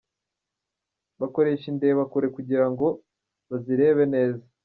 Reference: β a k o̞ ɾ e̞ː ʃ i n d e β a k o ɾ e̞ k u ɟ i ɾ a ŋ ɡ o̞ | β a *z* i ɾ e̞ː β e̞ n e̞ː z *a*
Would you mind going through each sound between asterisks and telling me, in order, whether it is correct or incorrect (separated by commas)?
correct, correct